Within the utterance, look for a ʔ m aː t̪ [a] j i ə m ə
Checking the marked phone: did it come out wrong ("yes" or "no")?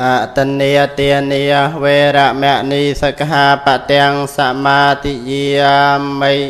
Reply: yes